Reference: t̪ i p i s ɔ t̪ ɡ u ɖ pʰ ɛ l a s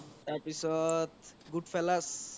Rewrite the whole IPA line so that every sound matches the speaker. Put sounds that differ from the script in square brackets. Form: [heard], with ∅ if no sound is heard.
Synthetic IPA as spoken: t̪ [a] p i s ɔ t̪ ɡ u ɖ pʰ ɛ l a s

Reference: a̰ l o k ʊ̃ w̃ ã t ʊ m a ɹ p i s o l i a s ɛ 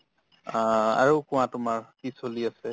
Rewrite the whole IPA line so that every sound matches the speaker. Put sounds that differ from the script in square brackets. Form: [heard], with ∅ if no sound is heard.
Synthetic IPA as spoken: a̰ [ɹ] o k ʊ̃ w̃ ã t ʊ m a ɹ [k] i s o l i a s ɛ

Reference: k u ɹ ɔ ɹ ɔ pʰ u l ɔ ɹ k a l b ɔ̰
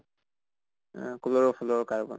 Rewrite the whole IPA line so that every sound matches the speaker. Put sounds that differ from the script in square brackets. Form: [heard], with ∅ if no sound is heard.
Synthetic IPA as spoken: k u [l] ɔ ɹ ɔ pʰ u l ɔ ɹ k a [ɹ] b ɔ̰

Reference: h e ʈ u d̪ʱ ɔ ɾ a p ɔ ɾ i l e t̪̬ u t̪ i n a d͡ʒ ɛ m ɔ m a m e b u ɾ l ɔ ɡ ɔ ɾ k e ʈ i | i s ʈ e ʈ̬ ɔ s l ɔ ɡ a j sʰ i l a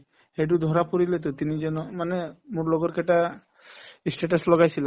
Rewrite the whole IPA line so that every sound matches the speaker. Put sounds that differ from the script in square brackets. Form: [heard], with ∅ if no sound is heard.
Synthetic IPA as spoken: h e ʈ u d̪ʱ ɔ ɾ a p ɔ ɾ i l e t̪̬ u t̪ i n [i] d͡ʒ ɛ [n] ɔ m a [n] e [m] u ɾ l ɔ ɡ ɔ ɾ k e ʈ [a] | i s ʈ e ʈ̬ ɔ s l ɔ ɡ a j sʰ i l a

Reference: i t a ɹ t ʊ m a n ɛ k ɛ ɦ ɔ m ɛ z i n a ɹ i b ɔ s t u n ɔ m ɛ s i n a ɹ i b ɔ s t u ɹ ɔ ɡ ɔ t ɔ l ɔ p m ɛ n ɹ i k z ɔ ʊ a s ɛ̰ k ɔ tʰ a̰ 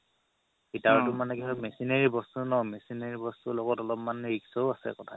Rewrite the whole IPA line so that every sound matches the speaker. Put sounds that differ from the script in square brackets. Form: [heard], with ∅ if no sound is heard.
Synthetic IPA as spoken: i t a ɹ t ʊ m a n ɛ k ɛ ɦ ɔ m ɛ [s] i n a ɹ i b ɔ s t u n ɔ m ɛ s i n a ɹ i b ɔ s t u [l] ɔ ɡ ɔ t ɔ l ɔ p m [a] n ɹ i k [s] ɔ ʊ a s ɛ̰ k ɔ tʰ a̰

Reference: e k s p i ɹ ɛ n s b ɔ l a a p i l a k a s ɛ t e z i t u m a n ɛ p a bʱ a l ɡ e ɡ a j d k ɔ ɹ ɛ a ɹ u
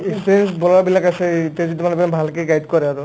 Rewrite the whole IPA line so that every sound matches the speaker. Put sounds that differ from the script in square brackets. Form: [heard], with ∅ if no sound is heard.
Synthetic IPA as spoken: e k s p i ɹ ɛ n s b ɔ l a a [b] i l a k a s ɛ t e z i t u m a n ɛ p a bʱ a l [k] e ɡ a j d k ɔ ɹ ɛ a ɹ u

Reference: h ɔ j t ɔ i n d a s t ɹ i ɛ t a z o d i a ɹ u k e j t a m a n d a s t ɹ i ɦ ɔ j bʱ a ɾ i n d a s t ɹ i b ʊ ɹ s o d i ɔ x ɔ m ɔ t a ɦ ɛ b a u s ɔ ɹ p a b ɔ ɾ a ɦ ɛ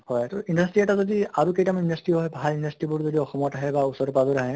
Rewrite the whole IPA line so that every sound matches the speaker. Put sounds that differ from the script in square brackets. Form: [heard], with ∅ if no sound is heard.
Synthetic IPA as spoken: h ɔ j t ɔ i n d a s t ɹ i ɛ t a z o d i a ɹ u k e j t a m [i] n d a s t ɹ i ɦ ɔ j bʱ a [l] i n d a s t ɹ i b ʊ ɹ [z] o d i ɔ x ɔ m ɔ t a ɦ ɛ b a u s ɔ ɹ p a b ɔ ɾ a ɦ ɛ

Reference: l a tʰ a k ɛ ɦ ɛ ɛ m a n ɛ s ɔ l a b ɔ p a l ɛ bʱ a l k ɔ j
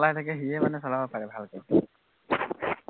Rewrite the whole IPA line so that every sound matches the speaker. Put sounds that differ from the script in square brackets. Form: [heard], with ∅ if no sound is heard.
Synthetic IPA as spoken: l a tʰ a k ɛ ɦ [i] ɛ m a n ɛ s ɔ l a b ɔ p a [ɹ] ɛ bʱ a l k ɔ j

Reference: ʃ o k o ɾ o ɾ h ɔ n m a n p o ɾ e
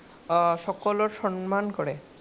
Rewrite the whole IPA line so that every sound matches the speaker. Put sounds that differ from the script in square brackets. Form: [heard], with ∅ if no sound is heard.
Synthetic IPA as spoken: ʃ [ɔ] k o [l] o ɾ [ʃ] ɔ n m a n [k] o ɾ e

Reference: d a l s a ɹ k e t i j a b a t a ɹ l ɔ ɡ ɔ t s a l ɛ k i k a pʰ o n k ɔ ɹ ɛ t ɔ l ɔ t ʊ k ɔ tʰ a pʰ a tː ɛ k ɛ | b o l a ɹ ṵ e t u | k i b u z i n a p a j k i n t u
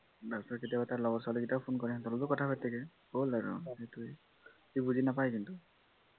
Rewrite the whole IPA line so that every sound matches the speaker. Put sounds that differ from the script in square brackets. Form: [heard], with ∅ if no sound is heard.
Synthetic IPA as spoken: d a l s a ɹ k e t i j a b a t a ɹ l ɔ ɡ ɔ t s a l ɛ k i [t] a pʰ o n k ɔ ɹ ɛ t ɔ l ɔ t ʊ k ɔ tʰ a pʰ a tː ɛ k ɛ | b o l a ɹ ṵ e t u | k i b u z i n a p a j k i n t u

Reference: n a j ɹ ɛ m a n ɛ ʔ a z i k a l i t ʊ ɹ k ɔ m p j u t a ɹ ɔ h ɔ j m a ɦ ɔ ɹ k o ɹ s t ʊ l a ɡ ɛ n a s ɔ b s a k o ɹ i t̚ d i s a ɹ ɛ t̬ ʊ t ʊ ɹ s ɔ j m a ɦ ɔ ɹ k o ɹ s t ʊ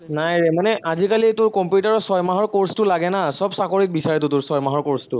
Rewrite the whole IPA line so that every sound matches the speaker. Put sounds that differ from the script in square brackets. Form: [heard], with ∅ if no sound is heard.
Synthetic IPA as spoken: n a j ɹ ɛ m a n ɛ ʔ a z i k a l i t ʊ ɹ k ɔ m p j u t a ɹ ɔ [s] ɔ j m a ɦ ɔ ɹ k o ɹ s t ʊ l a ɡ ɛ n a s ɔ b s a k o ɹ i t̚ [b] i s a ɹ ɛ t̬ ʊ t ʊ ɹ s ɔ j m a ɦ ɔ ɹ k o ɹ s t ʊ

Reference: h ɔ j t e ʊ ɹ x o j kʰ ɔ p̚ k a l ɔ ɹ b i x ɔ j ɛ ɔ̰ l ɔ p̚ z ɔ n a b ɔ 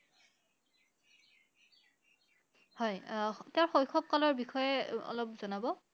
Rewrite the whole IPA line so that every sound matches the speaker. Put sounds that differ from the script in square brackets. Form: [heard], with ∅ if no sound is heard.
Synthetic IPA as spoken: h ɔ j t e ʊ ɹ x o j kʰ ɔ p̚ k a l ɔ ɹ b i x ɔ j ɛ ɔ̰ l ɔ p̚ z ɔ n a b ɔ

